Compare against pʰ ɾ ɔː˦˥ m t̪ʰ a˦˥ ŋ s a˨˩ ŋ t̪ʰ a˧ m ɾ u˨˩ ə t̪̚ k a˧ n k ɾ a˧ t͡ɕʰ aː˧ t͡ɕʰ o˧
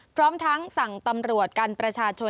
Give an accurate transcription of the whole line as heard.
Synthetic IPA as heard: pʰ ɾ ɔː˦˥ m t̪ʰ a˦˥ ŋ s a˨˩ ŋ t̪ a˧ m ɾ u˨˩ ə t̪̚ k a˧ n p ɾ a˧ t͡ɕʰ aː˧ t͡ɕʰ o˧